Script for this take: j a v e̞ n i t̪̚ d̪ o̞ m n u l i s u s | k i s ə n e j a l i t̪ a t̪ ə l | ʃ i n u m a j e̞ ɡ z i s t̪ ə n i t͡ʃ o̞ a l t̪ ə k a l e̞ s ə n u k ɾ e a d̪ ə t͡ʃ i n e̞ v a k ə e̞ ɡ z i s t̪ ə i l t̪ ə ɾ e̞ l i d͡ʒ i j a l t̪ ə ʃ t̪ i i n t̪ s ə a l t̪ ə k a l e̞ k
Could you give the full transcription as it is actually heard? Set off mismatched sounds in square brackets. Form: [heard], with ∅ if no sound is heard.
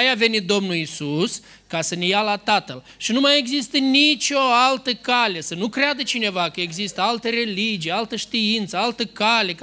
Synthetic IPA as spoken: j a v e̞ n i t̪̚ d̪ o̞ m n u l i s u s | k [a] s ə n e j a l [a] t̪ a t̪ ə l | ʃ i n u m a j e̞ ɡ z i s t̪ ə n i t͡ʃ o̞ a l t̪ ə k a l e̞ s ə n u k ɾ e a d̪ ə t͡ʃ i n e̞ v a k ə e̞ ɡ z i s t̪ ə [a] l t̪ ə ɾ e̞ l i d͡ʒ i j a l t̪ ə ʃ t̪ i i n t̪ s ə a l t̪ ə k a l e̞ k